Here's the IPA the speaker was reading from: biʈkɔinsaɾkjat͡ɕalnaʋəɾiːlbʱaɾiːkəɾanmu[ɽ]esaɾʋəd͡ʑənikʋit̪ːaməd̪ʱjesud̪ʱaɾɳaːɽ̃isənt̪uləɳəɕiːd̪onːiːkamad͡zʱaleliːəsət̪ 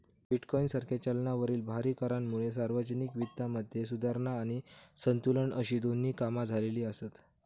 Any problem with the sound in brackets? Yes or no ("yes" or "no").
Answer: yes